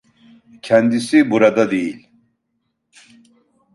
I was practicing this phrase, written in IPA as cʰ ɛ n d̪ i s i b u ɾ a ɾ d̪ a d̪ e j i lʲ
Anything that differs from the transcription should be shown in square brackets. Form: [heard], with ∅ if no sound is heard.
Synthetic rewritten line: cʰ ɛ n d̪ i s i b u ɾ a [∅] d̪ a d̪ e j i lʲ